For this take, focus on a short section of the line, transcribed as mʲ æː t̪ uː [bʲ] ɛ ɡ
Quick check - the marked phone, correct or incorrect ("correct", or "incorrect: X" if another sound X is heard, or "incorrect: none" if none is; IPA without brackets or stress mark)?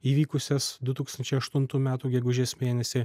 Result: incorrect: ɡʲ